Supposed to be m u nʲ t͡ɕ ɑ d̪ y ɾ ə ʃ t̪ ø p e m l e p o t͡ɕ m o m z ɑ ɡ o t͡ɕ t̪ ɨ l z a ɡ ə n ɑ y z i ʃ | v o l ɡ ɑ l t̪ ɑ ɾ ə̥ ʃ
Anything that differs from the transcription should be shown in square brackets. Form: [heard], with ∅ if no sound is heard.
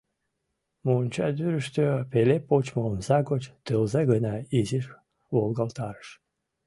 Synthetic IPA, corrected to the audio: m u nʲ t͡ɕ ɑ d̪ y ɾ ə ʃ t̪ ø p e [∅] l e p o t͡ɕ m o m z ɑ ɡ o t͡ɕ t̪ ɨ l z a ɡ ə n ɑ [i] z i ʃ | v o l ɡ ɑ l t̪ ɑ ɾ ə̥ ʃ

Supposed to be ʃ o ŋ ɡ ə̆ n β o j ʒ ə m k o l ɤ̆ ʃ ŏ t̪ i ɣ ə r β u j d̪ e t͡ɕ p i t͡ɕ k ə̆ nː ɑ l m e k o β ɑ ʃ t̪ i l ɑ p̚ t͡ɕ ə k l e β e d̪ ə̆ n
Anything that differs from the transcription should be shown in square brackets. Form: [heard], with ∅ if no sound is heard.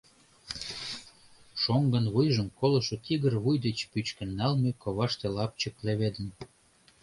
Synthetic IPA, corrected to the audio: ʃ o ŋ ɡ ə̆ n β [u] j ʒ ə m k o l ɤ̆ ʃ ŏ t̪ i ɣ ə r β u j d̪ e t͡ɕ p [y] t͡ɕ k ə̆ nː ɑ l m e k o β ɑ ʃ t̪ [e] l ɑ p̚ t͡ɕ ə k l e β e d̪ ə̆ n

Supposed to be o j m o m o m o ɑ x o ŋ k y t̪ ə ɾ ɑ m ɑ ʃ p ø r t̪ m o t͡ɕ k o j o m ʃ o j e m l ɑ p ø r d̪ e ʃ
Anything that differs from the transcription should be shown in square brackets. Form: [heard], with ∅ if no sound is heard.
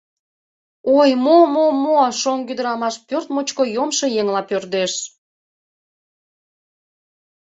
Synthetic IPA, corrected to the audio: o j m o m o m o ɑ [ʃ] o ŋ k y [d̪] ə ɾ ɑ m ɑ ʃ p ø r t̪ m o t͡ɕ k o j o m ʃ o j e [ŋ] l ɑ p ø r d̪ e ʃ

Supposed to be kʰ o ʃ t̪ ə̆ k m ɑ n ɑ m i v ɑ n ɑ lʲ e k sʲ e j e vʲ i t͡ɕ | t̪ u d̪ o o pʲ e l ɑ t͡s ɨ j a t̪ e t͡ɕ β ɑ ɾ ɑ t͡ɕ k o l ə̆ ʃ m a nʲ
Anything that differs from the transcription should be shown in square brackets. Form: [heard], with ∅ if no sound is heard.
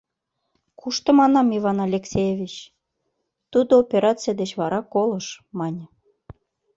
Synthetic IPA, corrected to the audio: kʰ [u] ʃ t̪ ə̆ [∅] m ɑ n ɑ m i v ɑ n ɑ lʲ e k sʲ e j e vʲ i t͡ɕ | t̪ u d̪ o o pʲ e [ɾ] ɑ t͡s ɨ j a [d̪] e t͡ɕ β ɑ ɾ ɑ [∅] k o l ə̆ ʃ m [ɑ] nʲ

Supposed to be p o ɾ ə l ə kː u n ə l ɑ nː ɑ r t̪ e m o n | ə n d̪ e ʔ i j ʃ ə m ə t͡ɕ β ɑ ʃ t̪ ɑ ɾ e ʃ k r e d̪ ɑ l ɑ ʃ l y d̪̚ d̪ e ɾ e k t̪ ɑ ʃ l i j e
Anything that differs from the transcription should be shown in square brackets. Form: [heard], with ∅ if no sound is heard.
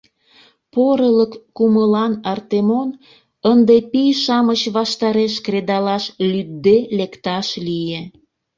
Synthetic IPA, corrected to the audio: p o ɾ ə l ə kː u [m] ə l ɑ [n] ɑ r t̪ e m o n | ə n d̪ e [p] i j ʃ [ɑ] m ə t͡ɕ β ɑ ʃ t̪ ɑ ɾ e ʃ k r e d̪ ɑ l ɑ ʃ l y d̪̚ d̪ e [l] e k t̪ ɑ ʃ l i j e

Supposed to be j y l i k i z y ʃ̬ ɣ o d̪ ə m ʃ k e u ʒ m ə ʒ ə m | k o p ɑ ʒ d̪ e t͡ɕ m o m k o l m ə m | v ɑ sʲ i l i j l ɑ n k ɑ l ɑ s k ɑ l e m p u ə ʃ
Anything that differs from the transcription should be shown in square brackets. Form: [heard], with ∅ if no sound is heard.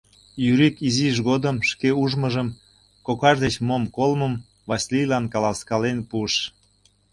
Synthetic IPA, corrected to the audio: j y [ɾ] i k i z [i] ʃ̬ ɣ o d̪ ə m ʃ k e u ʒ m ə ʒ ə m | k o [k] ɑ ʒ d̪ e t͡ɕ m o m k o l m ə m | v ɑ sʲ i l i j l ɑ n k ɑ l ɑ s k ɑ l e [n] p u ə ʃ

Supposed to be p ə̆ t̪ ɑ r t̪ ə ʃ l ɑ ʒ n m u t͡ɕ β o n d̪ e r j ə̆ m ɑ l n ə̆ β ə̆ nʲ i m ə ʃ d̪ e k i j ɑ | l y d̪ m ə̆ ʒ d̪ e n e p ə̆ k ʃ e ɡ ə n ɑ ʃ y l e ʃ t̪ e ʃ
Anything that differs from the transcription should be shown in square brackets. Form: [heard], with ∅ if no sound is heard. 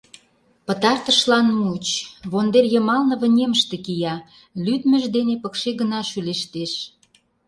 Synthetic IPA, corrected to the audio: p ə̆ t̪ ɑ r t̪ ə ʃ l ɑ [∅] n m u t͡ɕ β o n d̪ e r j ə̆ m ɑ l n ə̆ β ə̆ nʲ [e] m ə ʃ [t̪] e k i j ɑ | l y d̪ m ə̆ ʒ d̪ e n e p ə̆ k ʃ e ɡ ə n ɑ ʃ y l e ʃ t̪ e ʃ

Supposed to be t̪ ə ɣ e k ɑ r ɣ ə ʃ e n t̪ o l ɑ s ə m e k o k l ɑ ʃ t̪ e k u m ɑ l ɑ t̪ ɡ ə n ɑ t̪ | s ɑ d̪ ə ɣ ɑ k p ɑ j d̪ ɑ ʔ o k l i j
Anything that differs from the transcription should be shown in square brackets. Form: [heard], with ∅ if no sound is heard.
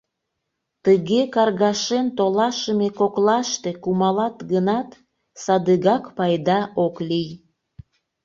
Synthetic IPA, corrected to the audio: t̪ ə ɣ e k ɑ r ɣ [ɑ] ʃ e n t̪ o l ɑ [ʃ] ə m e k o k l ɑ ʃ t̪ e k u m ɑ l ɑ t̪ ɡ ə n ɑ t̪ | s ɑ d̪ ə ɣ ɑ k p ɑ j d̪ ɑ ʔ o k l i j

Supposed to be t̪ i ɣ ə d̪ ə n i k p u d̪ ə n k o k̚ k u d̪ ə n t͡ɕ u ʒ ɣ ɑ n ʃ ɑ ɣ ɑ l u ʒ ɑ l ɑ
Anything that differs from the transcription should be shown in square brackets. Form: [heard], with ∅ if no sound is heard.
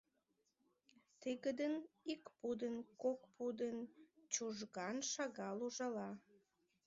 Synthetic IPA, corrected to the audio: t̪ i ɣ ə d̪ ə n i k p u d̪ ə n k o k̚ [p] u d̪ ə n t͡ɕ u ʒ ɣ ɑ n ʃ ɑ ɣ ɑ l u ʒ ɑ l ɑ

